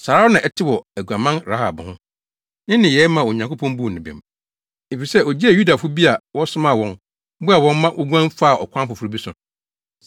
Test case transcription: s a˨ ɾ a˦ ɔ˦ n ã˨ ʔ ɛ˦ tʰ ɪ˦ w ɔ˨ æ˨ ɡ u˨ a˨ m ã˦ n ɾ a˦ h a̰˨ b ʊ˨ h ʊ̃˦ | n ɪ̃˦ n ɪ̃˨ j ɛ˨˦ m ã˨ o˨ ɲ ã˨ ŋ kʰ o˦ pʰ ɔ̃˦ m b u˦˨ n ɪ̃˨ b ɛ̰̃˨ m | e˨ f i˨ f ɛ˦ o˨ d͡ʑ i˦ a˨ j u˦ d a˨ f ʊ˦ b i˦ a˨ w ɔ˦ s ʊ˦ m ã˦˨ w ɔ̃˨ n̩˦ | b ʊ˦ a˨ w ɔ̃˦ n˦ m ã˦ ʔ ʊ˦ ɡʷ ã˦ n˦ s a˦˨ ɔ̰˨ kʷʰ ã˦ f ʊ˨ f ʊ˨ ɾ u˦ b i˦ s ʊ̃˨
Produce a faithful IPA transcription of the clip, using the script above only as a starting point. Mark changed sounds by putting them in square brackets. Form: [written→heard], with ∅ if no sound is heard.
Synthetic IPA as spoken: s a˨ ɾ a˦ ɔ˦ n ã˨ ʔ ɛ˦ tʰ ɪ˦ w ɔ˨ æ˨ ɡ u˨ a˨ m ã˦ n ɾ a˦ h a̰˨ b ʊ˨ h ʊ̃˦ | n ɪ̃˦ n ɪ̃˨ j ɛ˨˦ m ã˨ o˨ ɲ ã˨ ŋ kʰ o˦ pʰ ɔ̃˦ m b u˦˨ n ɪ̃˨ b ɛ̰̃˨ m | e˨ f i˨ [f→s] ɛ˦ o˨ d͡ʑ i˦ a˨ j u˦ d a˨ f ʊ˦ b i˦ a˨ w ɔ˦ s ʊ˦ m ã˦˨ w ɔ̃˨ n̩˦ | b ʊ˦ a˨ w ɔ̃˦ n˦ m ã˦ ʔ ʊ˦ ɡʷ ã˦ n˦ [s→f] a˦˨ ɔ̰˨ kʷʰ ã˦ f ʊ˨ f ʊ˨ ɾ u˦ b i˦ s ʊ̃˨